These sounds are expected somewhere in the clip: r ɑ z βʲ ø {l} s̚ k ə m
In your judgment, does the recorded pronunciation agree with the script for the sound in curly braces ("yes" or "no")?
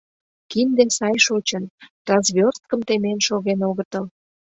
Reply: no